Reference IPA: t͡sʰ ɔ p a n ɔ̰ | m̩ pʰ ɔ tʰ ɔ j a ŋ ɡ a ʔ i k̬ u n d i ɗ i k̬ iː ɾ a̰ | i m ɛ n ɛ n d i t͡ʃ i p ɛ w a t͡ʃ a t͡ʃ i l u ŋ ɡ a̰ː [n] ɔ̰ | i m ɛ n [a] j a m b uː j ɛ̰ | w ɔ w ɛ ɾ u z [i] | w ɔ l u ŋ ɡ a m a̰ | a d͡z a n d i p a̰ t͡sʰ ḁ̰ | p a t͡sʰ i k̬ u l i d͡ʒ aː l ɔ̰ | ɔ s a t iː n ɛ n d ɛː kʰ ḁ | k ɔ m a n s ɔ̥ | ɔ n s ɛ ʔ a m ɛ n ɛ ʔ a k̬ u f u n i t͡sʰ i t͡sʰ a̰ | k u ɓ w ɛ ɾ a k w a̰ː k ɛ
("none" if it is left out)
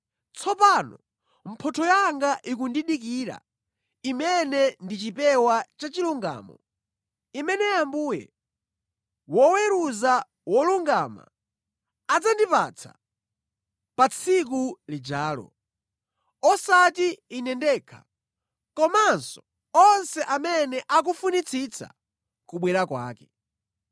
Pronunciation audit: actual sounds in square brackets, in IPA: m, ɛ, a

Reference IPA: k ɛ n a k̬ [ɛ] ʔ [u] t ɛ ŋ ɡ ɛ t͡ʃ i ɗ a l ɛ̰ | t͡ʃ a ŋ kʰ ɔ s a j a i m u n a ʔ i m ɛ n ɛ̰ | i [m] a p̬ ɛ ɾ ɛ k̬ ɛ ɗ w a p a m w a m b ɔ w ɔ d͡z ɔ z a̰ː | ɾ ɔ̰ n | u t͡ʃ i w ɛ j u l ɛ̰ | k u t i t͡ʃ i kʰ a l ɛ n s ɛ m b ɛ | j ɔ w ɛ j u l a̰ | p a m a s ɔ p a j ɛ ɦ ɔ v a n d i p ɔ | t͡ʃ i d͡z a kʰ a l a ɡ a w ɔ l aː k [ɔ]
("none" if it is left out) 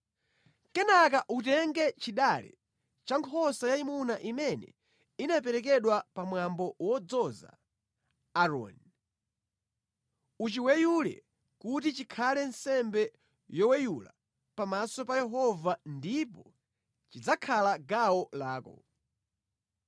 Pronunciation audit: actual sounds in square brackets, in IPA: a, u, n, ɔ

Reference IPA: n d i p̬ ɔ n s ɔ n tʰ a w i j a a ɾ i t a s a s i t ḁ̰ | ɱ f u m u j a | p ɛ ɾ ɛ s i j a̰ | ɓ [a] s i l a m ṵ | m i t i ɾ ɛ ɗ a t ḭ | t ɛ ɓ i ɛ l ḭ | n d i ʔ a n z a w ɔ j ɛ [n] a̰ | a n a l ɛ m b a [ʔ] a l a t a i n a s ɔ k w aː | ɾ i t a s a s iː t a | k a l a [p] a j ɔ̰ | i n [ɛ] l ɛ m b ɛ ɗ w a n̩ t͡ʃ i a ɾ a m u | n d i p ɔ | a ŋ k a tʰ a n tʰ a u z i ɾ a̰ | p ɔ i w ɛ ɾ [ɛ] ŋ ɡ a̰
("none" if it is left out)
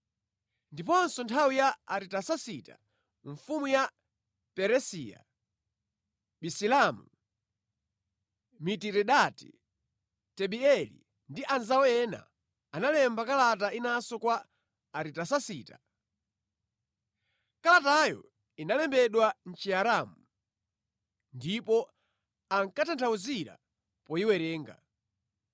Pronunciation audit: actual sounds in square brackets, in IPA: i, n, k, t, a, ɛː

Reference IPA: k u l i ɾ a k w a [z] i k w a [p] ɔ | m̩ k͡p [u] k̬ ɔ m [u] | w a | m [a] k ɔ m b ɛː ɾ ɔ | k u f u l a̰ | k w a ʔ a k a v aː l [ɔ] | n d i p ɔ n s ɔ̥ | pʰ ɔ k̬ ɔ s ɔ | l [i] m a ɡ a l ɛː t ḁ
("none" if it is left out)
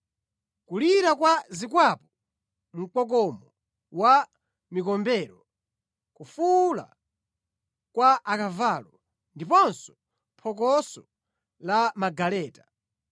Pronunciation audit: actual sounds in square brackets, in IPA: z, p, ɔ, ɔ, i, ɔ, a

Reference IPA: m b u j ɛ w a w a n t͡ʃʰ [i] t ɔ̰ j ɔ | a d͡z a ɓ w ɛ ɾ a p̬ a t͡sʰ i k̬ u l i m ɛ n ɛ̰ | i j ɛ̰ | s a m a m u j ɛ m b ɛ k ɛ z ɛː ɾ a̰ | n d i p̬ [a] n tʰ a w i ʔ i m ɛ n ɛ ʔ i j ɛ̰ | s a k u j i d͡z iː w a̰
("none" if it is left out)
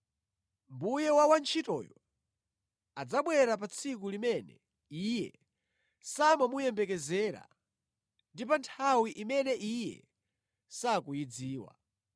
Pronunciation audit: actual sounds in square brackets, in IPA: i, a

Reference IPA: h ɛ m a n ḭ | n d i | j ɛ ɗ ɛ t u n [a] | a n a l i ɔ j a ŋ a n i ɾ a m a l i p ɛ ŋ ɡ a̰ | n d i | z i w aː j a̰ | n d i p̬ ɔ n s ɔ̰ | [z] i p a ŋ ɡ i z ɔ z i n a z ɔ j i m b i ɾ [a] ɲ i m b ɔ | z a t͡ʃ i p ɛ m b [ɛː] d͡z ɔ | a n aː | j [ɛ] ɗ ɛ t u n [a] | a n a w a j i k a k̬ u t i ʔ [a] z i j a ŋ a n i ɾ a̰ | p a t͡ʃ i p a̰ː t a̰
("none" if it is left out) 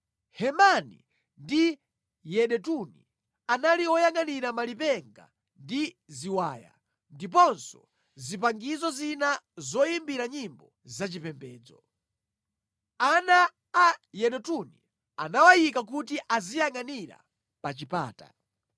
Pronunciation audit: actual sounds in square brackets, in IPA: i, z, a, ɛː, ɛ, i, a

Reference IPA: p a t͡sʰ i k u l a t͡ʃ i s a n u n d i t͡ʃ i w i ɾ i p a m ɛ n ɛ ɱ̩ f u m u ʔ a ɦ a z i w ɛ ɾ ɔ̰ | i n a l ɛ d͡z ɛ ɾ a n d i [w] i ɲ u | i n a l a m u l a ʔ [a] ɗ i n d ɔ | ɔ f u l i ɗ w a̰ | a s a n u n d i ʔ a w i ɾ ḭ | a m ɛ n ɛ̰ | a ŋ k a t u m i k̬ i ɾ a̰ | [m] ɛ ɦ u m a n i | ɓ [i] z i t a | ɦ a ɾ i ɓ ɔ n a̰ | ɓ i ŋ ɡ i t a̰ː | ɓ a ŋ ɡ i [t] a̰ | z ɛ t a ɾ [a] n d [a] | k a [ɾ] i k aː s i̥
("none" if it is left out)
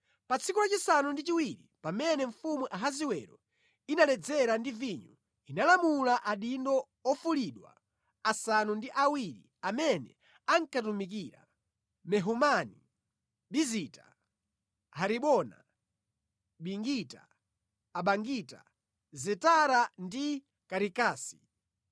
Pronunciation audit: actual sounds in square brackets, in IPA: v, a, m, i, t, a, i, ɾ

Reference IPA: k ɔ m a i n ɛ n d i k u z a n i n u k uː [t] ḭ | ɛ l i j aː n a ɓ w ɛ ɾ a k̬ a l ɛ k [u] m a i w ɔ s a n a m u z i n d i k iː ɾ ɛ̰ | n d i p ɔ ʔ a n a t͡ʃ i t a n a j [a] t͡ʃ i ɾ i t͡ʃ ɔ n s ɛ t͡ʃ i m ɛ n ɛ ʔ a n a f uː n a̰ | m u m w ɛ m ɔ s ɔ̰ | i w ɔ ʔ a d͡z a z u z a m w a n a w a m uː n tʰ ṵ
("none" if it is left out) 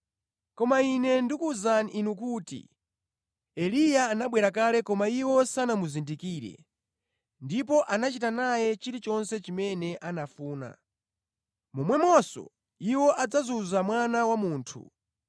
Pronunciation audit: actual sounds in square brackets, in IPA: t, ɔ, ɛ

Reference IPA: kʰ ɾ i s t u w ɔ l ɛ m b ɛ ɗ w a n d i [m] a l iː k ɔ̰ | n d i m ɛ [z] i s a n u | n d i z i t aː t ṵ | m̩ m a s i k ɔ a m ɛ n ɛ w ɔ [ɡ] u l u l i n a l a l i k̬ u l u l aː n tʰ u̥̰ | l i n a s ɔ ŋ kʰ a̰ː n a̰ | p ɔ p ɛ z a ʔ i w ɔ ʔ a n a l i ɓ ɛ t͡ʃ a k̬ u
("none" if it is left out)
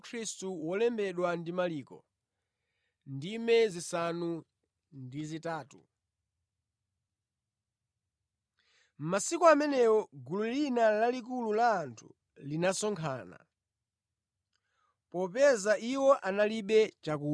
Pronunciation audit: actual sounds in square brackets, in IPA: m, z, ɡ

